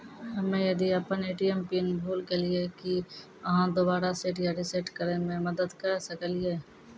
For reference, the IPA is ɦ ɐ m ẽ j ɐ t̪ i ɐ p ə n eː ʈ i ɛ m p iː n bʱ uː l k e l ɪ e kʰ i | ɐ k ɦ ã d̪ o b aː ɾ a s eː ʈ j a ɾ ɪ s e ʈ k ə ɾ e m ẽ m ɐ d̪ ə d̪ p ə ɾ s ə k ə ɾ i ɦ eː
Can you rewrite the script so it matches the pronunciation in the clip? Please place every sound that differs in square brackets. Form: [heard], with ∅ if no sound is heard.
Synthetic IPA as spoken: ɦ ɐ m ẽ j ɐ [d̪] i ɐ p ə n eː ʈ i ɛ m p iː n bʱ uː l k e l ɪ e [k] i | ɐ [∅] ɦ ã d̪ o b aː ɾ a s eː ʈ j a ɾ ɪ s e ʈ k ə ɾ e m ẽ m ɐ d̪ ə d̪ [k] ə ɾ s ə k ə [l] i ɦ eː